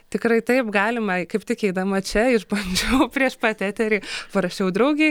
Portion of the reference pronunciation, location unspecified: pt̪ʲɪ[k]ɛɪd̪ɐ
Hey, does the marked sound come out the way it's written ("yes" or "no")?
yes